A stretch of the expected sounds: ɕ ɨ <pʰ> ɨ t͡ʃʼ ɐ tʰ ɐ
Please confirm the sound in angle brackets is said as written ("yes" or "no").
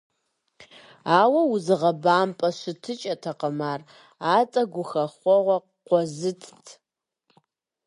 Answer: no